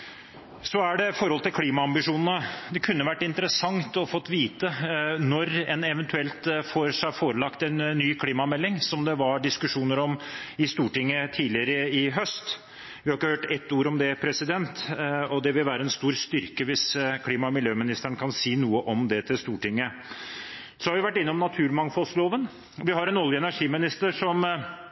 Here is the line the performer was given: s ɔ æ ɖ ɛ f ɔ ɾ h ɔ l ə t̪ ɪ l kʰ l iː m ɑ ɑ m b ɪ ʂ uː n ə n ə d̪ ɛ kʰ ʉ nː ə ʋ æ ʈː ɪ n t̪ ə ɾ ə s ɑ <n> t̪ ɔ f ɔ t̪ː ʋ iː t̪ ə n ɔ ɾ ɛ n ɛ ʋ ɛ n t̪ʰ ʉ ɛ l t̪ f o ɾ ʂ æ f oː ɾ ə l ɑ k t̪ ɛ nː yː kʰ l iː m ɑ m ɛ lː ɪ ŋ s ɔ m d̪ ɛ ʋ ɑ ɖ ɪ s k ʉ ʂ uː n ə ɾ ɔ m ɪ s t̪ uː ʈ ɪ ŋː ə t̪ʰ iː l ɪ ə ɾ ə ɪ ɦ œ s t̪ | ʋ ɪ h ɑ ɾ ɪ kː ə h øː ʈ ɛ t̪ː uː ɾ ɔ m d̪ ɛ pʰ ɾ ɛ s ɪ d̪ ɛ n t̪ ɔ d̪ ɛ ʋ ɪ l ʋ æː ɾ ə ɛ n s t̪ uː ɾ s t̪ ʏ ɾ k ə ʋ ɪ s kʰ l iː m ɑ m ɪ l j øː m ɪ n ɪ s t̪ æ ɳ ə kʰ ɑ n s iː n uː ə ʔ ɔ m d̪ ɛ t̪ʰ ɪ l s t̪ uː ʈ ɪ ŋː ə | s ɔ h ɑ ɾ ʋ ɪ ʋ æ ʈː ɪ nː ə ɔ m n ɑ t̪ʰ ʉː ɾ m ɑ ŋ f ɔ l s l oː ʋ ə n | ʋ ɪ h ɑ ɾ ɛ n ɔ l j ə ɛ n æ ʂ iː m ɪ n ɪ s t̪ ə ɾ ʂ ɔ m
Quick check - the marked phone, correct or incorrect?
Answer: incorrect